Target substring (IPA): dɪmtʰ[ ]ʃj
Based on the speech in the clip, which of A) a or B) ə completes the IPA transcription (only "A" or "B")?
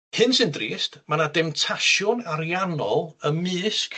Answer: A